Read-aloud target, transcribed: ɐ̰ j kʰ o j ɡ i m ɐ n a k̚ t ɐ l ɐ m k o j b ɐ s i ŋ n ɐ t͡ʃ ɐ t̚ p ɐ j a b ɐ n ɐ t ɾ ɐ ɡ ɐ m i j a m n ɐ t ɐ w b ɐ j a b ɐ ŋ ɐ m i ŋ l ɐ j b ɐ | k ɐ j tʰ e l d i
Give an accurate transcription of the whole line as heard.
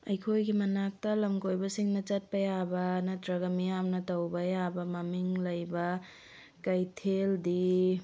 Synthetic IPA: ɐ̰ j kʰ o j ɡ i m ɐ n a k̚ t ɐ l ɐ m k o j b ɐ s i ŋ n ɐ t͡ʃ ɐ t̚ p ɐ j a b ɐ n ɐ t ɾ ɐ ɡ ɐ m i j a m n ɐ t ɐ w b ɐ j a b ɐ m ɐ m i ŋ l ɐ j b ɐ | k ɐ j tʰ e l d i

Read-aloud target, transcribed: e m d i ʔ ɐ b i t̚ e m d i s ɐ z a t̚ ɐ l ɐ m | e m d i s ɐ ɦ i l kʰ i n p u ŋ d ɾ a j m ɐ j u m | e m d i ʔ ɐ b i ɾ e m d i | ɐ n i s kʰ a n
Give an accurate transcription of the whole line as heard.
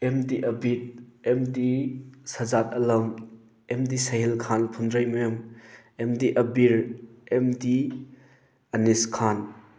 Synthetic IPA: e m d i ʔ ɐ b i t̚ e m d i s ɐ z a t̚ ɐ l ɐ m | e m d i s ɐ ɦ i l kʰ a n pʰ u n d ɾ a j m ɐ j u m | e m d i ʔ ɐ b i ɾ e m d i | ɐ n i s kʰ a n

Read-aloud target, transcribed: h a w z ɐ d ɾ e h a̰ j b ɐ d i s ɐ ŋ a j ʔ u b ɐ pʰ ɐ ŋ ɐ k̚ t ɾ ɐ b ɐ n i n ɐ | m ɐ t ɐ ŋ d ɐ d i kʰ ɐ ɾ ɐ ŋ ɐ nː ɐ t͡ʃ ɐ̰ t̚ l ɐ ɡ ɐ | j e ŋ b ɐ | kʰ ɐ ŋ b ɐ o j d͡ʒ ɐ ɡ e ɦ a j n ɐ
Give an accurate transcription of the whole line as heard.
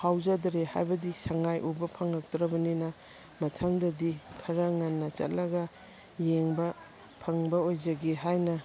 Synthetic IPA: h a w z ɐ d ɾ e h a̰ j b ɐ d i s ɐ ŋ a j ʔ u b ɐ pʰ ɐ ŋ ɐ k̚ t ɾ ɐ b ɐ n i n ɐ | m ɐ tʰ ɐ ŋ d ɐ d i kʰ ɐ ɾ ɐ ŋ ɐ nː ɐ t͡ʃ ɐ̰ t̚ l ɐ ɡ ɐ | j e ŋ b ɐ | pʰ ɐ ŋ b ɐ o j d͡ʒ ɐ ɡ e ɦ a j n ɐ

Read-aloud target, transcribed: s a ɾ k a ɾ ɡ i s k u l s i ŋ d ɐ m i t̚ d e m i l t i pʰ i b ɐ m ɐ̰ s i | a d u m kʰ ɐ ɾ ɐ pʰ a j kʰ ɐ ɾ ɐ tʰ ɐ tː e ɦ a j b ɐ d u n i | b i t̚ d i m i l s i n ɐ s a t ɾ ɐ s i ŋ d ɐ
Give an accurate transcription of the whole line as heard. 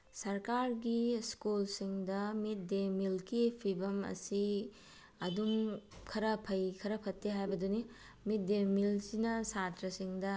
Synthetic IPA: s ɐ ɾ k a ɾ ɡ i s k u l s i ŋ d ɐ m i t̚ d e m i l k i pʰ i b ɐ m ɐ̰ s i | ɐ d u m kʰ ɐ ɾ ɐ pʰ ɐ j kʰ ɐ ɾ ɐ pʰ ɐ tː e ɦ a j b ɐ d u n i | m i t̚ d e m i l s i n ɐ s a t ɾ ɐ s i ŋ d ɐ

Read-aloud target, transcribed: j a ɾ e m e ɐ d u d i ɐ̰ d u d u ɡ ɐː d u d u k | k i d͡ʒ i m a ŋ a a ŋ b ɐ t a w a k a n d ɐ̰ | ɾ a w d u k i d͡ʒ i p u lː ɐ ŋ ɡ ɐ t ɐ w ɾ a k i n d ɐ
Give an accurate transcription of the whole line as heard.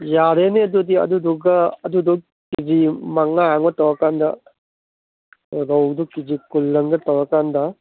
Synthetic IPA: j a ɾ e n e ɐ d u d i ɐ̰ d u d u ɡ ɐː d u d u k | k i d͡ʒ i m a ŋ a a ŋ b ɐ t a w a k a n d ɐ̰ | ɾ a w d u k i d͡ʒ i k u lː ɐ ŋ ɡ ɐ t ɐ w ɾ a k a n d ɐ

